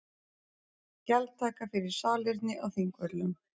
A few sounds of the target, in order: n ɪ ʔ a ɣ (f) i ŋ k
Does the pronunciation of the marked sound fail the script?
yes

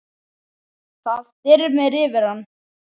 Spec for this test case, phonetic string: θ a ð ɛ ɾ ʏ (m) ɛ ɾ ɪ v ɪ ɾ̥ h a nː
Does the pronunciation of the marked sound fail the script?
no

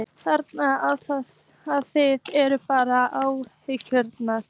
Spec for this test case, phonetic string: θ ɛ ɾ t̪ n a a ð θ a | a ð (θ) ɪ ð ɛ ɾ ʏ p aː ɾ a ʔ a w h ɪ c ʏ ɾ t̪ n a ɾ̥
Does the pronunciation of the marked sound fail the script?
no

